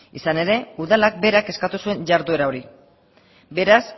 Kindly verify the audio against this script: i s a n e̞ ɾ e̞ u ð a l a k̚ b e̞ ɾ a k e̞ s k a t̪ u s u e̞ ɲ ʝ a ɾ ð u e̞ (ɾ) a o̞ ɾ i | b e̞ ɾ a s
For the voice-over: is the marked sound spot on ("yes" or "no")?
yes